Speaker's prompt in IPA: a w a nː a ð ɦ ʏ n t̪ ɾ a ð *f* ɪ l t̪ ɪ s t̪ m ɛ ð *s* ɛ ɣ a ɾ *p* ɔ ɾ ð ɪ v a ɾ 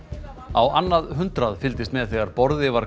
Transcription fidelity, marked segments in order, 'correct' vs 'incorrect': correct, incorrect: θ, correct

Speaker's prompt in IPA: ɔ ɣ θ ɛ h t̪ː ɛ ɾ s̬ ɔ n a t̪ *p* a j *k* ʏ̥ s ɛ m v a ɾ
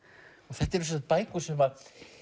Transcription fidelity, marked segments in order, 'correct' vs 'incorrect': correct, correct

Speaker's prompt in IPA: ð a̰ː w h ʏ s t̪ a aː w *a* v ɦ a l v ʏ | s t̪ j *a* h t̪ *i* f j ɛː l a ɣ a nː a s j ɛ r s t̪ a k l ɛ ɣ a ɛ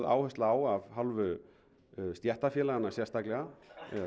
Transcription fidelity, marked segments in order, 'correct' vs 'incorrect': correct, incorrect: ɛ, incorrect: a

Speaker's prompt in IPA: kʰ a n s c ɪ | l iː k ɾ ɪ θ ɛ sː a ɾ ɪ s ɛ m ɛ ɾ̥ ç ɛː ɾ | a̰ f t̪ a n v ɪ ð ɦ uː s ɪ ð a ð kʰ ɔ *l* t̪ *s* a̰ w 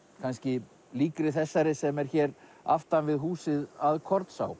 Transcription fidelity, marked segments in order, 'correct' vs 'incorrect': incorrect: ɾ, correct

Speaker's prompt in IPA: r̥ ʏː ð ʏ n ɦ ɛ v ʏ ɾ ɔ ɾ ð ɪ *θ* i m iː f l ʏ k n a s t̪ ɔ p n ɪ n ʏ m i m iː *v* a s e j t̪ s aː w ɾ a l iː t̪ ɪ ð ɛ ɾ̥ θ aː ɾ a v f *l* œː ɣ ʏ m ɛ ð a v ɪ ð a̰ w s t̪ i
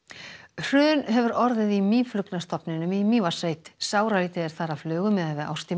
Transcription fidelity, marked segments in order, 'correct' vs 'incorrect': incorrect: ð, correct, correct

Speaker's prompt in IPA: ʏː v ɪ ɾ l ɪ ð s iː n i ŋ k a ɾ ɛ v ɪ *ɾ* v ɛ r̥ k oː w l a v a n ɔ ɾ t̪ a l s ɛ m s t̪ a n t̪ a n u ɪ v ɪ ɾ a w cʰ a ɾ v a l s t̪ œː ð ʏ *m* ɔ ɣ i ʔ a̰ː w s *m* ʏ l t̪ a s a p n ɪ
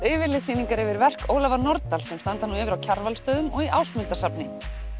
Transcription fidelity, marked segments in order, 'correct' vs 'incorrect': correct, correct, correct

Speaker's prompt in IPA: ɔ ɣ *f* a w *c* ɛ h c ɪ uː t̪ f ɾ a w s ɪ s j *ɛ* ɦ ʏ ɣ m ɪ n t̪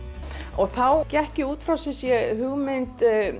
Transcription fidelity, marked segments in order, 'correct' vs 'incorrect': incorrect: θ, correct, correct

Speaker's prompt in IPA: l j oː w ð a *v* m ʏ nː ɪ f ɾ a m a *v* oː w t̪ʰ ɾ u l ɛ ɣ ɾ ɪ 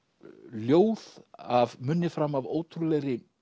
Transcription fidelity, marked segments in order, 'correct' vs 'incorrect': correct, correct

